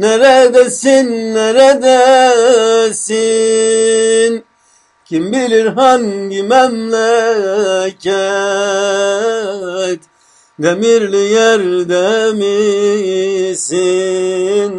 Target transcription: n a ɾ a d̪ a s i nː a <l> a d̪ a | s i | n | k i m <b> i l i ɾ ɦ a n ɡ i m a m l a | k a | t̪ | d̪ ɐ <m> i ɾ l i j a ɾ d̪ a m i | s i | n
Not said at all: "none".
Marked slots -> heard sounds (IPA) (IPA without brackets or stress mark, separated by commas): ɾ, b, m